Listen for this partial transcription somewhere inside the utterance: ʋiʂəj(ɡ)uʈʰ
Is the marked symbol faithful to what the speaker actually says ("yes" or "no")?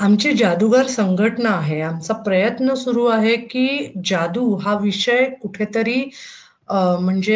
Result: no